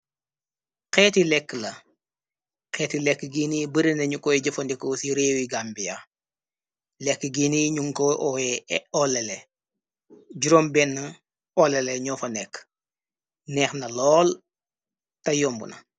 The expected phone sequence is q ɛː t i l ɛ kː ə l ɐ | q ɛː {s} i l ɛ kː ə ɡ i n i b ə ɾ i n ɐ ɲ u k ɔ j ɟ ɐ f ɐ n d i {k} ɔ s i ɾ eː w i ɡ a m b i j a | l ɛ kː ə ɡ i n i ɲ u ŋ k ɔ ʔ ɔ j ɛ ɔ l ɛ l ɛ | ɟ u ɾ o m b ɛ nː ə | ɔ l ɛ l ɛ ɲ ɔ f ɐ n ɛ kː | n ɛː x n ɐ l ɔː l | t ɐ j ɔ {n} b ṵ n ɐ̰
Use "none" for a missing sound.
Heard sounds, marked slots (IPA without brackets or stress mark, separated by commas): t, k, m